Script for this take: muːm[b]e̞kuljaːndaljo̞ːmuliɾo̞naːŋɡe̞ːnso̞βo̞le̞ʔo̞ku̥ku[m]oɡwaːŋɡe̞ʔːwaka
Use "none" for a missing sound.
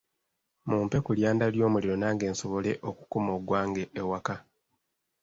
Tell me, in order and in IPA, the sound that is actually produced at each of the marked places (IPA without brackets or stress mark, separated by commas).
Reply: p, m